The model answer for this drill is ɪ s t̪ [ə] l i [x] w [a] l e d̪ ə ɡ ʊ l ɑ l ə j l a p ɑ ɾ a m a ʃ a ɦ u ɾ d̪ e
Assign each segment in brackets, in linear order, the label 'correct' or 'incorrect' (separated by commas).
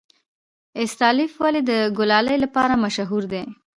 incorrect, incorrect, correct